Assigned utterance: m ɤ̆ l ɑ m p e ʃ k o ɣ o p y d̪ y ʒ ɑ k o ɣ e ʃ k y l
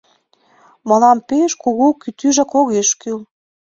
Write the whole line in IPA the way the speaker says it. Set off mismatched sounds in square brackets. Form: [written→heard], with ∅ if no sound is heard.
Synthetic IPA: m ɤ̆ l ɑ m p e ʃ k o ɣ o [p→k] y [d̪→t̪] y ʒ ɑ k o ɣ e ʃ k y l